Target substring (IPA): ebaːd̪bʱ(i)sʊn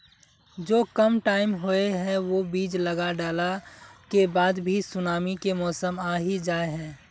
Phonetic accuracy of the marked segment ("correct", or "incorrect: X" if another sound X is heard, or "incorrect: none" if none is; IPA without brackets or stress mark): correct